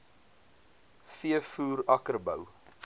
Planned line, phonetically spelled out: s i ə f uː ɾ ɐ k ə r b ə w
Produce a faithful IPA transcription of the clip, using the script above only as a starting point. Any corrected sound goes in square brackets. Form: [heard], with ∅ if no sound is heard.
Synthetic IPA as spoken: [f] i ə f uː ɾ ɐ k ə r b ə w